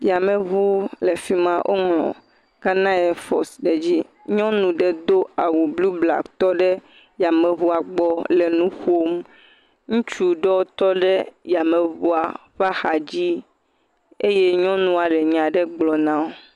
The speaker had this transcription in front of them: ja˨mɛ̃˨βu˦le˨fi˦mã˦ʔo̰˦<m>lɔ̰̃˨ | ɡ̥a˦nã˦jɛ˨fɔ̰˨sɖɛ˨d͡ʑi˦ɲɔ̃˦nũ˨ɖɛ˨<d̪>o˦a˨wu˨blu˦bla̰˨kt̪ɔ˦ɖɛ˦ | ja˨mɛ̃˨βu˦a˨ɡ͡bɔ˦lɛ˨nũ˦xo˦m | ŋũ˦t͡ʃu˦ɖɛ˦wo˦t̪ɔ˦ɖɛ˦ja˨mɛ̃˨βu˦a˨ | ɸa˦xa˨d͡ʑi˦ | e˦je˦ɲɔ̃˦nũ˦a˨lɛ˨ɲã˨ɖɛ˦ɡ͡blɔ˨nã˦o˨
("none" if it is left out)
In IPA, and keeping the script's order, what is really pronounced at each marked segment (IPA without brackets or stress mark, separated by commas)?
ŋ, d̪